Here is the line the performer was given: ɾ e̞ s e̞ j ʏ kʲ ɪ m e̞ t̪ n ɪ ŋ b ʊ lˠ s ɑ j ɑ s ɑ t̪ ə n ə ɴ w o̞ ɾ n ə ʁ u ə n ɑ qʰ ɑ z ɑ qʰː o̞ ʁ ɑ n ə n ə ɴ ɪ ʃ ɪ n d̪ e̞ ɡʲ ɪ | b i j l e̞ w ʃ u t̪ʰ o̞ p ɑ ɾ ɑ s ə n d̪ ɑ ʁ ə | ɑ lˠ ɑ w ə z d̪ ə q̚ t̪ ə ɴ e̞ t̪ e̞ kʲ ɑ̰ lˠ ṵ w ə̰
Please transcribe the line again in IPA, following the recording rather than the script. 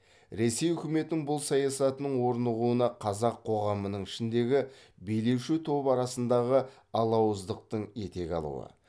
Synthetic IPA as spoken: ɾ e̞ s e̞ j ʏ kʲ ɪ m e̞ t̪ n ɪ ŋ b ʊ lˠ s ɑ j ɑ s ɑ t̪ ə n ə ɴ w o̞ ɾ n ə ʁ u ə n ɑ qʰ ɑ z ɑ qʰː o̞ ʁ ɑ m ə n ə ɴ ɪ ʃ ɪ n d̪ e̞ ɡʲ ɪ | b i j l e̞ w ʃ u t̪ʰ o̞ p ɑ ɾ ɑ s ə n d̪ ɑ ʁ ə | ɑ lˠ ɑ w ə z d̪ ə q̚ t̪ ə ɴ e̞ t̪ e̞ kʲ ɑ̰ lˠ ṵ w ə̰